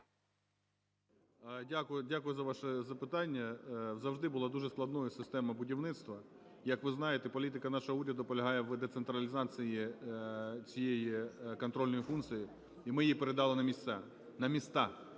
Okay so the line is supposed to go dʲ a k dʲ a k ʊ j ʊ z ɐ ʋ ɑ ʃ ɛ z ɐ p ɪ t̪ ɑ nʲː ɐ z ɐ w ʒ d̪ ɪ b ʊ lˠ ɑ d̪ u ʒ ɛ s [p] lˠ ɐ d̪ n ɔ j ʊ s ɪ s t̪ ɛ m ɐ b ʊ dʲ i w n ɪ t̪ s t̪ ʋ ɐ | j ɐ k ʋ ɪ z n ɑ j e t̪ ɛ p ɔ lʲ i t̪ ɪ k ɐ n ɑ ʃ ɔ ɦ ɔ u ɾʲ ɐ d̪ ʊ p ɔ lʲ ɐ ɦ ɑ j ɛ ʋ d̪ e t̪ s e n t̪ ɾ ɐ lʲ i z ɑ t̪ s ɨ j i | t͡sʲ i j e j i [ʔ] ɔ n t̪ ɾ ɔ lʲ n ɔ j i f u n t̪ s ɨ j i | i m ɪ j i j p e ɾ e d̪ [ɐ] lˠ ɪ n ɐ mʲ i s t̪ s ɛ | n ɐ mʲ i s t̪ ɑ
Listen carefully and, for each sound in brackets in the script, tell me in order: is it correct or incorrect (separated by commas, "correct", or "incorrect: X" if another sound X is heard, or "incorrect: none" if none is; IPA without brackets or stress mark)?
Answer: incorrect: k, incorrect: k, incorrect: ɑ